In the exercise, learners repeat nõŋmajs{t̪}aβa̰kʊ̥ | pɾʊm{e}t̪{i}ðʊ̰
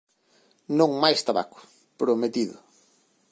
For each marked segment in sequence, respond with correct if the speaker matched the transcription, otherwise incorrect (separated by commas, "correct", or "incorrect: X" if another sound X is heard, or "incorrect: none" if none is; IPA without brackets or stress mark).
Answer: correct, correct, correct